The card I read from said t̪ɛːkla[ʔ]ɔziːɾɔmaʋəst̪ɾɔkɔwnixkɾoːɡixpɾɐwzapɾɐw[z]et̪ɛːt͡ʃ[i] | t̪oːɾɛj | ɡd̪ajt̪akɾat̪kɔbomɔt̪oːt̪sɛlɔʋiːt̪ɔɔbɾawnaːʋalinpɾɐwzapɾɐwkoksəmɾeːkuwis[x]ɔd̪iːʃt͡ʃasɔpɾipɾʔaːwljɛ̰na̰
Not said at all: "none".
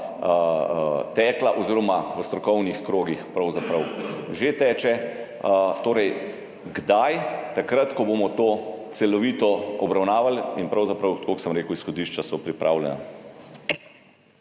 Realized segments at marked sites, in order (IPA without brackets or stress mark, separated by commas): ʔ, ʒ, ɛ, x